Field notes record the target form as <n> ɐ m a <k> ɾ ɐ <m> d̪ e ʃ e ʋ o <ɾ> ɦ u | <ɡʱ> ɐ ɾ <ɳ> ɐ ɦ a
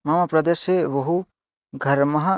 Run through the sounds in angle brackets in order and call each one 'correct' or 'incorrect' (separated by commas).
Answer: incorrect, incorrect, incorrect, incorrect, correct, incorrect